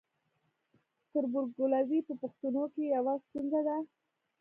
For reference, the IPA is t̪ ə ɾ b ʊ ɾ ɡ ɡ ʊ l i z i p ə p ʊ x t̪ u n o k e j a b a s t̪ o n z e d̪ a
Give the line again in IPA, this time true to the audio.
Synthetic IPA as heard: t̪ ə ɾ b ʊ ɾ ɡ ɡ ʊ l a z i p ə p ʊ x t̪ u n o k e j a w a s t̪ u n z a d̪ a